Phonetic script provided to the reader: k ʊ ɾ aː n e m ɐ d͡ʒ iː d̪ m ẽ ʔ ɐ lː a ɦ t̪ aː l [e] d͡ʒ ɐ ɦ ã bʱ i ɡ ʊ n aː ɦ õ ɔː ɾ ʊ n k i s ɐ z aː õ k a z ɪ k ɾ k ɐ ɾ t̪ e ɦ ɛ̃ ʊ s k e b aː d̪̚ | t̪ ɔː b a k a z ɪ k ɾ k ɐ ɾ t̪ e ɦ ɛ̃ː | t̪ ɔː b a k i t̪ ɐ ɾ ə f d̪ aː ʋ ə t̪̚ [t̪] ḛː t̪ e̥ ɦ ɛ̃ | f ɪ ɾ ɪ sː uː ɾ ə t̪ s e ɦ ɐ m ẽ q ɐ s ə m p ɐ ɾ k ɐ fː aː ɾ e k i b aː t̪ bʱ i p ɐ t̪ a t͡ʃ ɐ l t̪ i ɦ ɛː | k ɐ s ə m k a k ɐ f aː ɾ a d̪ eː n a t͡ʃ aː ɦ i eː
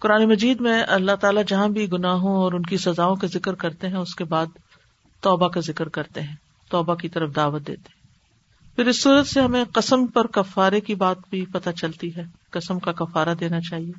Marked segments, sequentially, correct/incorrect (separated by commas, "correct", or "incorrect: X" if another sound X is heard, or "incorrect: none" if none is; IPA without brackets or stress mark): incorrect: a, incorrect: d̪